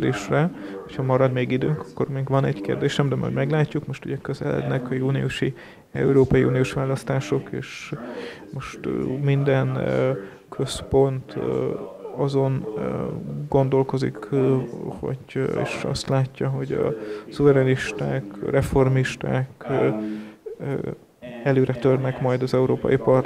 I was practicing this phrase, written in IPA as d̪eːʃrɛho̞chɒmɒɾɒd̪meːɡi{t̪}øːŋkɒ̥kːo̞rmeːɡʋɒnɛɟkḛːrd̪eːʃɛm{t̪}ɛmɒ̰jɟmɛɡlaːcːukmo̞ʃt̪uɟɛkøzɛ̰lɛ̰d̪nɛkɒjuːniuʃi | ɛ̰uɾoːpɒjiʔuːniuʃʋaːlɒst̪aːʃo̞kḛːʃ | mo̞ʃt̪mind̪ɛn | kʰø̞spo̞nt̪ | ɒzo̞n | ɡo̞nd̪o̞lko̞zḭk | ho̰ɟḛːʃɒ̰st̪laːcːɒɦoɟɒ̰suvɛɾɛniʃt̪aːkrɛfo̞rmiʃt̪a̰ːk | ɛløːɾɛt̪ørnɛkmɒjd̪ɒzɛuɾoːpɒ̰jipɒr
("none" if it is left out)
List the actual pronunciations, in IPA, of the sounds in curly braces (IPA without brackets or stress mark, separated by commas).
d̪, d̪